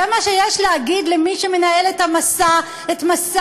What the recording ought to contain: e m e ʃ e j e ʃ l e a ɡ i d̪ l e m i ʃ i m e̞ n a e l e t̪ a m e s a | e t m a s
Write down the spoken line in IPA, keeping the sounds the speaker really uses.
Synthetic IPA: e m a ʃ e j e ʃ l e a ɡ i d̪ l e m i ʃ e m e̞ n a e l e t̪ a m a s a | e t m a s